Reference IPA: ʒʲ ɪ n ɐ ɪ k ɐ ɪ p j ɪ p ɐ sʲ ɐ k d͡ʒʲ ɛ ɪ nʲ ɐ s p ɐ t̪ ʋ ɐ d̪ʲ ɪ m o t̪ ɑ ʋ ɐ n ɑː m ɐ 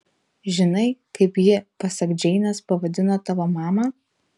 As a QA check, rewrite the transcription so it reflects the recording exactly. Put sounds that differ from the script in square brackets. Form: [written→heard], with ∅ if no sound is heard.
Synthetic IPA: ʒʲ ɪ n ɐ ɪ k ɐ ɪ p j ɪ p ɐ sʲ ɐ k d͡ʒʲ ɛ ɪ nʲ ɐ s p ɐ [t̪→∅] ʋ ɐ d̪ʲ ɪ [m→n] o t̪ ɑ ʋ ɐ [n→m] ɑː m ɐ